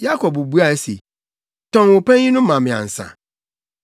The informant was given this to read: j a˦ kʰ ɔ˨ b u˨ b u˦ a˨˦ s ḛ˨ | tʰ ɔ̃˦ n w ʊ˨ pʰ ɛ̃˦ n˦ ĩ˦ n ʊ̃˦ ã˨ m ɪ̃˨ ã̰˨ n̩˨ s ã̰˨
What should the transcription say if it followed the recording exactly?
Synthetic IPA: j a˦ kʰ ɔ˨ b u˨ b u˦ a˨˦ s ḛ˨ | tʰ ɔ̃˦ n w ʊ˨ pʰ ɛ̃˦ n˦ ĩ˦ n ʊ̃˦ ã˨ m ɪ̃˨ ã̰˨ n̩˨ s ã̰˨